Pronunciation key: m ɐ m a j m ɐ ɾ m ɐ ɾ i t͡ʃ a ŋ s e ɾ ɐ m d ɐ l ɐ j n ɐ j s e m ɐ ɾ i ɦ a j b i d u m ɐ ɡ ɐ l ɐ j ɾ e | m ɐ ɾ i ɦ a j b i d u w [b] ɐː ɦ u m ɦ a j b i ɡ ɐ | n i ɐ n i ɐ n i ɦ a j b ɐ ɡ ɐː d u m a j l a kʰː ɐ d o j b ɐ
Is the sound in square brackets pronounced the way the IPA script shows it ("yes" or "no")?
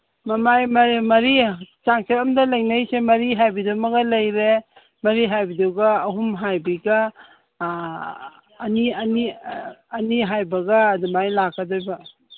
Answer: no